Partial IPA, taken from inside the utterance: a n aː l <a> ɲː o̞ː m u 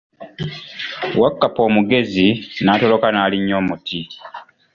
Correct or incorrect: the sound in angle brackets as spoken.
incorrect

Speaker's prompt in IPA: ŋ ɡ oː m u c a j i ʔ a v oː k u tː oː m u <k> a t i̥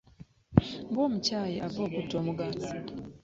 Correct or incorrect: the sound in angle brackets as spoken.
incorrect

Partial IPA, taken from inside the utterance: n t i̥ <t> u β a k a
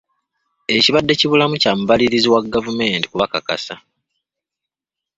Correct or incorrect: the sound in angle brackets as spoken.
incorrect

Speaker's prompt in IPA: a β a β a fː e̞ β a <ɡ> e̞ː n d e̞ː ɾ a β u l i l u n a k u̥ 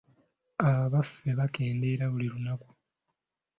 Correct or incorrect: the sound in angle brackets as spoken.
incorrect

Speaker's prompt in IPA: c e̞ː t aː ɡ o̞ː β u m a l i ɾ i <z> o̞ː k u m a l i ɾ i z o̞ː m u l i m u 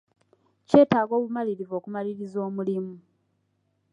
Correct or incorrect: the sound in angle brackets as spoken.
incorrect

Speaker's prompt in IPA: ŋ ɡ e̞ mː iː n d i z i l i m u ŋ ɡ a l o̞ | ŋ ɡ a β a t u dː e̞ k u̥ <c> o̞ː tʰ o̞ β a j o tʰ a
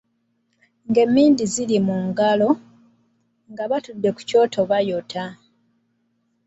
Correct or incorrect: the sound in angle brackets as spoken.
correct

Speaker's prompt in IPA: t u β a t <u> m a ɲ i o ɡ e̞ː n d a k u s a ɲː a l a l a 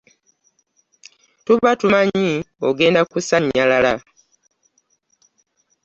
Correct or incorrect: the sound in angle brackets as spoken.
correct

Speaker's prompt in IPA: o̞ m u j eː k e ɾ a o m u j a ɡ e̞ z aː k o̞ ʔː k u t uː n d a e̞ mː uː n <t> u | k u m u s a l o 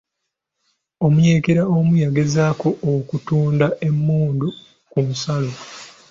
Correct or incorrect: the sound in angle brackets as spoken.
incorrect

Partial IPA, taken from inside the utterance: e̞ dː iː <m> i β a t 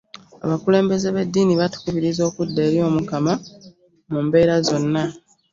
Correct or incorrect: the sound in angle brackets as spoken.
incorrect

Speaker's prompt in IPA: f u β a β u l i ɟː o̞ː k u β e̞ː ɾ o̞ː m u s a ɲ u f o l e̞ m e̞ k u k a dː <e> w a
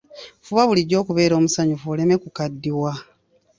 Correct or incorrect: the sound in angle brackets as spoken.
incorrect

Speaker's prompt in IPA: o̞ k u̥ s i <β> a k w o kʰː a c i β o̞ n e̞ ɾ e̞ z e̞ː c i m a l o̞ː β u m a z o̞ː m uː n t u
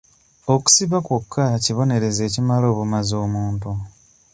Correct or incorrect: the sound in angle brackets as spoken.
correct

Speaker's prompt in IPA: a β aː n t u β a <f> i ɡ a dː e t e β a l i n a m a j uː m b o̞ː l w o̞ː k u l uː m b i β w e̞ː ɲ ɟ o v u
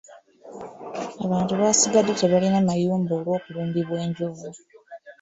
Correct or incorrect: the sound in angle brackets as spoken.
incorrect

